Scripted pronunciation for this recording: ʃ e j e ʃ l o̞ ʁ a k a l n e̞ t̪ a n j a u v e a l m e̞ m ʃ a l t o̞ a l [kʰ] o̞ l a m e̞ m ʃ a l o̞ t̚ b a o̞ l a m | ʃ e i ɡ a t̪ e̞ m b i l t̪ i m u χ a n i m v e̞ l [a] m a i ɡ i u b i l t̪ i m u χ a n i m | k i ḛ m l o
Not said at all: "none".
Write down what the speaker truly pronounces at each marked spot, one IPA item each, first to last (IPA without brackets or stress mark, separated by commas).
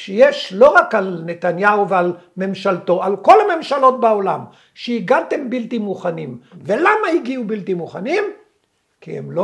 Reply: k, a